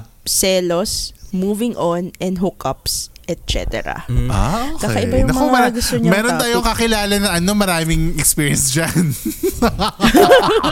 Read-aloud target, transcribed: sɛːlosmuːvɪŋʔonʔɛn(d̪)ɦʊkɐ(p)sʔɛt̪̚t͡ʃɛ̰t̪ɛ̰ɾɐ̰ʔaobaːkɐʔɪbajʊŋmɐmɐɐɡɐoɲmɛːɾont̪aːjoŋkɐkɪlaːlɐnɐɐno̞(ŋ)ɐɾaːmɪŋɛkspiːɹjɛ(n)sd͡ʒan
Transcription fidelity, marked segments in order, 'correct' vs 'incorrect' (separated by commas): correct, correct, incorrect, correct